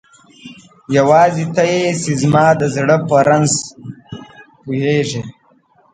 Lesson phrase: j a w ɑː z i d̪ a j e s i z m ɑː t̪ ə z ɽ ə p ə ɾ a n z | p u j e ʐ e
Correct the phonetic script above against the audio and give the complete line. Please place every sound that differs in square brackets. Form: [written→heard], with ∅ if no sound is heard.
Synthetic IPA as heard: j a w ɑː z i [d̪→t̪] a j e s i z m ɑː [t̪→d̪] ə z ɽ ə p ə ɾ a n z | p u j e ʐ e